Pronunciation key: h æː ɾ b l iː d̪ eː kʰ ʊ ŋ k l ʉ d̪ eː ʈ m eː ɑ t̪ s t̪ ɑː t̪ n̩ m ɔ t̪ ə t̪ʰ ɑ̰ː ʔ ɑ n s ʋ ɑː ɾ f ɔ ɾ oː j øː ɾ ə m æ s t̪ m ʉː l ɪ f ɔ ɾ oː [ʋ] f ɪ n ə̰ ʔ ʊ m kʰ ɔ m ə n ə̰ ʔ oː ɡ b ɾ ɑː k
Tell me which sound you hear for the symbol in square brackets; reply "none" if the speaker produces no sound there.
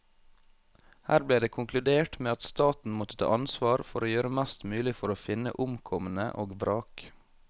none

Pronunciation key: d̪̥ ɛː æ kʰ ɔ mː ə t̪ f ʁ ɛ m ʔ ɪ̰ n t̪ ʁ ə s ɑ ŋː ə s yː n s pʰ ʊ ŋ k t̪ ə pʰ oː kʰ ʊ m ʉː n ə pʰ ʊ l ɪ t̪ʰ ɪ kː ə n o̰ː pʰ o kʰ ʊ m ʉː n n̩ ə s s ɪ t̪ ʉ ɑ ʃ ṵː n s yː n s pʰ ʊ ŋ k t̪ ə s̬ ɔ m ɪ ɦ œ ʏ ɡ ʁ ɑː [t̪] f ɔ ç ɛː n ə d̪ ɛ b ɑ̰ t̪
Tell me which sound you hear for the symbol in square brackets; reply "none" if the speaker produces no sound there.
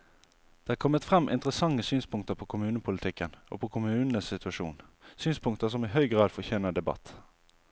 d̪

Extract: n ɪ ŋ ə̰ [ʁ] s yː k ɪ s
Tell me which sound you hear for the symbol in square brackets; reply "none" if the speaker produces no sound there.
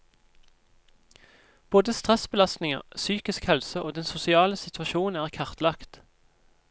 ʁ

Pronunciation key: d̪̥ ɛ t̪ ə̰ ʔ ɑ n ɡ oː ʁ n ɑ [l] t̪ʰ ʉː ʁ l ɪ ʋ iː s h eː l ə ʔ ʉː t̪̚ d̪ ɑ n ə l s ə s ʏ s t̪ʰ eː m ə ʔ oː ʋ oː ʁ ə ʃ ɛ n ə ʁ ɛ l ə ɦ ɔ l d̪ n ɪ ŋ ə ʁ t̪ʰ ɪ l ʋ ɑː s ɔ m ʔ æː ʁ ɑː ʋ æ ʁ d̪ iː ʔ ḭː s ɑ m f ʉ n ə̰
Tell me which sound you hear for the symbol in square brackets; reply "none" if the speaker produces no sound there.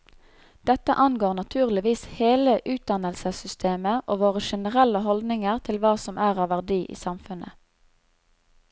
none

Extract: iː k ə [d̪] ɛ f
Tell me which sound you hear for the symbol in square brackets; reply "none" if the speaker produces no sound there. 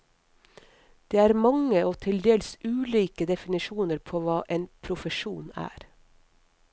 d̪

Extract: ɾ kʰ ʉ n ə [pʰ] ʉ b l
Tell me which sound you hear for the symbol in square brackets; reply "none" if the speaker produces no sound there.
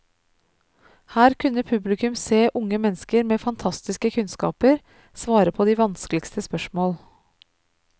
pʰ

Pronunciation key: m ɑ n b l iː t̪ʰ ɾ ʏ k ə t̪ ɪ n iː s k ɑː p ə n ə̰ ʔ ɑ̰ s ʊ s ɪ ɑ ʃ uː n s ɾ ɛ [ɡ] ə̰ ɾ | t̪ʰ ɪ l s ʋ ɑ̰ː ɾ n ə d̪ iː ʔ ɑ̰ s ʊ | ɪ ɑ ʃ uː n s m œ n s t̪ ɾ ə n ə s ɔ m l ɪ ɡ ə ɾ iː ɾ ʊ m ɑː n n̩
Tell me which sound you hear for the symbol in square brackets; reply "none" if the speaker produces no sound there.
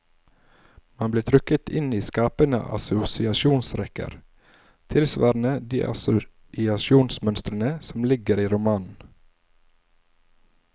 k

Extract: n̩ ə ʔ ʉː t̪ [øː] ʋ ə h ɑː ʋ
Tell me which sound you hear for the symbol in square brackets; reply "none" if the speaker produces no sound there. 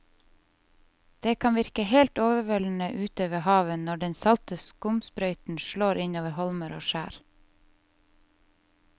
øː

